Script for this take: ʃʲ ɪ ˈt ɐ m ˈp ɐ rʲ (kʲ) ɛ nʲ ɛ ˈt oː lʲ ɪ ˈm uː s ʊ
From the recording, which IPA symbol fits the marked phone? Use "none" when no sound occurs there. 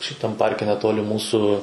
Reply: kʲ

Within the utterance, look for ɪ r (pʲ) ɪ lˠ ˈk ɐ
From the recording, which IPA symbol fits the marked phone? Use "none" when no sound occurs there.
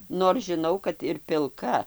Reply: pʲ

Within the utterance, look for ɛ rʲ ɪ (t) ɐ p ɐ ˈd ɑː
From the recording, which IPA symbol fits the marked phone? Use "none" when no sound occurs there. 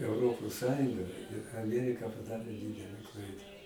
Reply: k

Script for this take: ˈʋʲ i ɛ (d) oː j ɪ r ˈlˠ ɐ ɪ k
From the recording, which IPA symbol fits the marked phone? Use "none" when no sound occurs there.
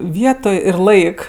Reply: t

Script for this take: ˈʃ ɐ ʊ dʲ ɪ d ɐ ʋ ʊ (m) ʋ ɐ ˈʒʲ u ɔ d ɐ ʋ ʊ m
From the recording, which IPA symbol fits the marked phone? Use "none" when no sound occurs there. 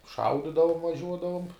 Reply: m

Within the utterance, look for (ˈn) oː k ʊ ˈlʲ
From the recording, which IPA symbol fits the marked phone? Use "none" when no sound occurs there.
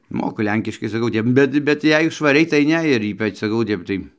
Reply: m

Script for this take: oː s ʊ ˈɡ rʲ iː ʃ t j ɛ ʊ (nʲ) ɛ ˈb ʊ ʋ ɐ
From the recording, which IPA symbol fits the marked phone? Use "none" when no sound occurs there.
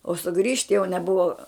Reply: nʲ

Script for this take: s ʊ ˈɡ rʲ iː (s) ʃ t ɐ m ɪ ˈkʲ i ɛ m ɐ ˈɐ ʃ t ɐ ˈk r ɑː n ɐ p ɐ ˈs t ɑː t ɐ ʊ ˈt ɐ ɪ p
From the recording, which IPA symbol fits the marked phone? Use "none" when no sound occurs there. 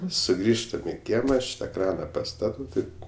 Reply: none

